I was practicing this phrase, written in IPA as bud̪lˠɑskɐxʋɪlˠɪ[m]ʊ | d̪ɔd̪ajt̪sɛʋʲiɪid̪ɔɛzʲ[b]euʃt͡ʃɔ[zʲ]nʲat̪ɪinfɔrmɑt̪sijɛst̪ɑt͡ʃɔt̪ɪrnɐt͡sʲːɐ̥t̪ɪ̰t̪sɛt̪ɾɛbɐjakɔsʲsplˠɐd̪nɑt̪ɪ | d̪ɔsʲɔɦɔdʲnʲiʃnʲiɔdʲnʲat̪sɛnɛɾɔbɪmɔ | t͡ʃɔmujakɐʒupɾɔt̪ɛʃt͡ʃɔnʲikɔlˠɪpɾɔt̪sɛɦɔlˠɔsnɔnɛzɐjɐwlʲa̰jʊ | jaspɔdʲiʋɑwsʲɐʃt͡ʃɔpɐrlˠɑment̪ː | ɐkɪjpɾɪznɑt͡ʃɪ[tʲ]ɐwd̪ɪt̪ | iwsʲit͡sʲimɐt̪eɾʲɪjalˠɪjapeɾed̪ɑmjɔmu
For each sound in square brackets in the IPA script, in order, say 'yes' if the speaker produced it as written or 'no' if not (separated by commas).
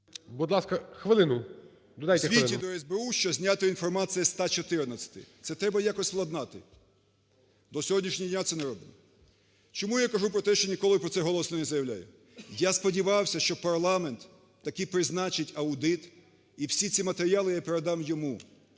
no, yes, yes, yes